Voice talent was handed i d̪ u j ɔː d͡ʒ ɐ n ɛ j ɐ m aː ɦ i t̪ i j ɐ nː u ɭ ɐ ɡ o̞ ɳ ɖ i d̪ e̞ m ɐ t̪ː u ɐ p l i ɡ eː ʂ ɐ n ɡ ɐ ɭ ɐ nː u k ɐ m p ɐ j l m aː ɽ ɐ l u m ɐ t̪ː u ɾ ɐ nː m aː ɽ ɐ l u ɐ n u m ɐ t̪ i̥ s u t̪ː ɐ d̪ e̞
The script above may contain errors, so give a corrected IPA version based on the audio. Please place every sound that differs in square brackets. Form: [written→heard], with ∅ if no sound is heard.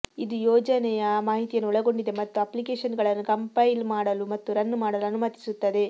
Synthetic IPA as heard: i d̪ u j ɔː d͡ʒ ɐ n ɛ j ɐ m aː ɦ i t̪ i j ɐ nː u ɭ ɐ ɡ o̞ ɳ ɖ i d̪ e̞ m ɐ t̪ː u ɐ p l i [ɡ→k] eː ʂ ɐ n ɡ ɐ ɭ ɐ nː u k ɐ m p ɐ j l m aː ɽ ɐ l u m ɐ t̪ː u ɾ ɐ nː m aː ɽ ɐ l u ɐ n u m ɐ t̪ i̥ s u t̪ː ɐ d̪ e̞